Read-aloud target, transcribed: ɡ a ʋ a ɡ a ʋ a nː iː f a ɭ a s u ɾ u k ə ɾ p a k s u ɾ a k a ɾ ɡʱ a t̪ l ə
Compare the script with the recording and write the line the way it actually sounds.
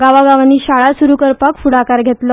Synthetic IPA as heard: ɡ a ʋ a ɡ a ʋ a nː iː ɕ a ɭ a s u ɾ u k ə ɾ p a k f u ɽ a k a ɾ ɡʱ e t̪ l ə